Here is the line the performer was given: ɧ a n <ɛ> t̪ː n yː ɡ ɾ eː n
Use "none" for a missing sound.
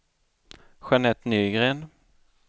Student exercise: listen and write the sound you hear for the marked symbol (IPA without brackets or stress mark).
ɛ